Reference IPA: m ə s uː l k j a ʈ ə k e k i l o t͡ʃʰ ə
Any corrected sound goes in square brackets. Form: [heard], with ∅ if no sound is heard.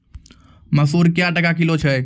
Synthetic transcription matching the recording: m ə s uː [ɾ] k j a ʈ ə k [a] k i l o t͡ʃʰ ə